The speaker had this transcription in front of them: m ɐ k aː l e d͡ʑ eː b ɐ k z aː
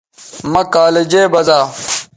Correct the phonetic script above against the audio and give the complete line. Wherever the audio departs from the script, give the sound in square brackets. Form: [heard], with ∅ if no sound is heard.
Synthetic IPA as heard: m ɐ k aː l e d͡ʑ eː b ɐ [∅] z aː